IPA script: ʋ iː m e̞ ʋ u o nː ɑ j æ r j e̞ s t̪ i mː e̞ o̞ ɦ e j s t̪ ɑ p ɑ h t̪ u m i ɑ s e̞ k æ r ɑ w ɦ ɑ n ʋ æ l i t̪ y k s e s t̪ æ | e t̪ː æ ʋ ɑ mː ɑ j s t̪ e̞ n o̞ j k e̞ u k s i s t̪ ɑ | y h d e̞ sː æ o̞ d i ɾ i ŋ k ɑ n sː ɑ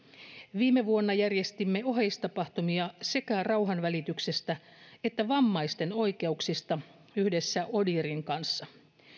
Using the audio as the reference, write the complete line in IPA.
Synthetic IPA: ʋ iː m e̞ ʋ u o nː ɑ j æ r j e̞ s t̪ i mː e̞ o̞ ɦ e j s t̪ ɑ p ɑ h t̪ u m i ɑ s e̞ k æ r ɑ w ɦ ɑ n ʋ æ l i t̪ y k s e s t̪ æ | e t̪ː æ ʋ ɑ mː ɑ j s t̪ e̞ n o̞ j k e̞ u k s i s t̪ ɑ | y h d e̞ sː æ o̞ d i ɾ i ŋ k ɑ n sː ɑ

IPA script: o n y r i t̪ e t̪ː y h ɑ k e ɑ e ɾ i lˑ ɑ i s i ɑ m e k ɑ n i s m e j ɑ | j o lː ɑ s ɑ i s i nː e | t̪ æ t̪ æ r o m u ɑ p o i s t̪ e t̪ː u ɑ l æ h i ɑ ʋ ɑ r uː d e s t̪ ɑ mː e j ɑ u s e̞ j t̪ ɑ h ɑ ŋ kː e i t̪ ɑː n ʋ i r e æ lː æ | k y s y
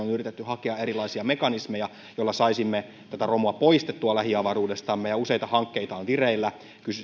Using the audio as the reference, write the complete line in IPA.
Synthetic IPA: o n y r i t̪ e t̪ː y h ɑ k e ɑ e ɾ i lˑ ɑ i s i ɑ m e k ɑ n i s m e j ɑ | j o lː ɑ s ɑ i s i mː e | t̪ æ t̪ æ r o m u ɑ p o i s t̪ e t̪ː u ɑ l æ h i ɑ ʋ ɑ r uː d e s t̪ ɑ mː e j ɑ u s e̞ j t̪ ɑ h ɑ ŋ kː e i t̪ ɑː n ʋ i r e i lː æ | k y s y

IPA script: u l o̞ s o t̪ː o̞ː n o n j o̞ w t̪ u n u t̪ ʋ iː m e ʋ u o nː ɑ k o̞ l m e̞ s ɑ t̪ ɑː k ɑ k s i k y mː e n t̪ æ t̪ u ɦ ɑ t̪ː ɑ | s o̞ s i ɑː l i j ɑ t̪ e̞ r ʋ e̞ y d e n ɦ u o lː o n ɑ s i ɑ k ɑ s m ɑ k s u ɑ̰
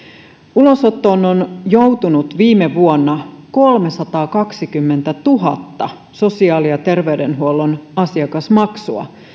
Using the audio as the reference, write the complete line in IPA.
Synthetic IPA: u l o̞ s o t̪ː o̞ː n o n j o̞ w t̪ u n u t̪ ʋ iː m e ʋ u o nː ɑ k o̞ l m e̞ s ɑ t̪ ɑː k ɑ k s i k y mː e n t̪ æ t̪ u ɦ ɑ t̪ː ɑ | s o̞ s i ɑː l i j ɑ t̪ e̞ r ʋ e̞ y d e n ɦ u o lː o n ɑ s i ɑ k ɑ s m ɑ k s u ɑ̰

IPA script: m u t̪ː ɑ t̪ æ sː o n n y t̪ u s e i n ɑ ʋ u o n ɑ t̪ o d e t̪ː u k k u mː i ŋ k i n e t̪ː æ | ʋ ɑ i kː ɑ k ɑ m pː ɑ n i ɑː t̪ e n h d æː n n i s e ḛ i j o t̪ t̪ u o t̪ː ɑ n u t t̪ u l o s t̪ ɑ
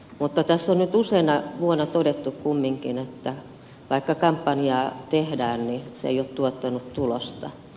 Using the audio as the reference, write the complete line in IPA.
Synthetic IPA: m u t̪ː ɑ t̪ æ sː o n n y t̪ u s e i n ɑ ʋ u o n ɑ t̪ o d e t̪ː u k k u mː i ŋ k i n e t̪ː æ | ʋ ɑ i kː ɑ k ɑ m pː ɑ n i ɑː t̪ e h d æː n n i s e ḛ i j o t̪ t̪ u o t̪ː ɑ n u t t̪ u l o s t̪ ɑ

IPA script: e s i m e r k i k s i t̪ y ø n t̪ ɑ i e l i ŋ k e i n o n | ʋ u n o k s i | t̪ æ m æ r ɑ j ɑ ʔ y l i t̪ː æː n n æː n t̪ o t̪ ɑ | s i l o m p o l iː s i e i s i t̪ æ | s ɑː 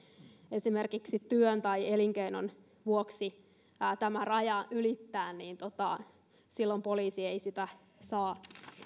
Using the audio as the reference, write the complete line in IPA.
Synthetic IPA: e s i m e r k i k s i t̪ y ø n t̪ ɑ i e l i ŋ k e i n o n | ʋ u o k s i | t̪ æ m æ r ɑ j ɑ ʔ y l i t̪ː æː n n iː n t̪ o t̪ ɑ | s i lː o m p o l iː s i e i s i t̪ æ | s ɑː

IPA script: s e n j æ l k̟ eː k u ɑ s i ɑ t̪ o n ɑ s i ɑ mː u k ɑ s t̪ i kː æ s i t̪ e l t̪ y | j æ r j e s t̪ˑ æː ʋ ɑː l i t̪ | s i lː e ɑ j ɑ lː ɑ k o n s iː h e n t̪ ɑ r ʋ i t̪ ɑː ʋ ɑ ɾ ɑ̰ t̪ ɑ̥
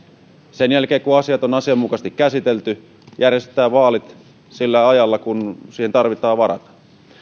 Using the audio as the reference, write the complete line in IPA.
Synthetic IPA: s e n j æ l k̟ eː k u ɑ s i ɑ t̪ o n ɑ s i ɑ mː u k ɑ s t̪ i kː æ s i t̪ e l t̪ y | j æ r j e s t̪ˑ æː ʋ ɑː l i t̪ | s i lː æ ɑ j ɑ lː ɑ k u n s iː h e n t̪ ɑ r ʋ i t̪ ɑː ʋ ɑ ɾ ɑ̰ t̪ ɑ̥

